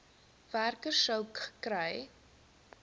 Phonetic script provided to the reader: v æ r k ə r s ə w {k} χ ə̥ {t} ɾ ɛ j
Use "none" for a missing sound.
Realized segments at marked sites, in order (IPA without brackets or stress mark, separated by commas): k, k